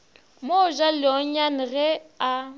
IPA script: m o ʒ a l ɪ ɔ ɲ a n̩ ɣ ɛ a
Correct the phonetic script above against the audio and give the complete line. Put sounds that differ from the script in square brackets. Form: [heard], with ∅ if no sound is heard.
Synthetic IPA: m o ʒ a l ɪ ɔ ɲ a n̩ ɣ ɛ a